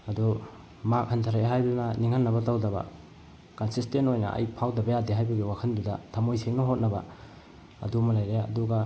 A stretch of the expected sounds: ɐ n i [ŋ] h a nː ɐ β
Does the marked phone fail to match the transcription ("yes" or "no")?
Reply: no